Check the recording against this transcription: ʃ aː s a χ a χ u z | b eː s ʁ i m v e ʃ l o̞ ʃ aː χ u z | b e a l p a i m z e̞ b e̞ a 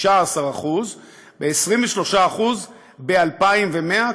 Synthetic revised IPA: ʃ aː s a ʁ a χ u z | b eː s ʁ i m v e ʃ l o̞ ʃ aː χ u z | b e a l p a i m v e̞ m e̞ a